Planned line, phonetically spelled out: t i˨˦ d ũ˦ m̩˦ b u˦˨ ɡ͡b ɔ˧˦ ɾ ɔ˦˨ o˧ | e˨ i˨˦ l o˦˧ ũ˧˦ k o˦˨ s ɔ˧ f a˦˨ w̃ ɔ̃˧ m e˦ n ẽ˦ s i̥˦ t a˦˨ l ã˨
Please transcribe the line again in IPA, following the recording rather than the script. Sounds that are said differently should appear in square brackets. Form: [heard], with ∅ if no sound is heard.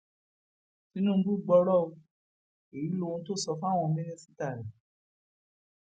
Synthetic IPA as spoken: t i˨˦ [n] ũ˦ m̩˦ b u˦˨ ɡ͡b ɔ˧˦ ɾ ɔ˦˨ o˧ | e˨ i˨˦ l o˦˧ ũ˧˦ [t] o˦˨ s ɔ˧ f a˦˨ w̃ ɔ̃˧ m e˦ n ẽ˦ s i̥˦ t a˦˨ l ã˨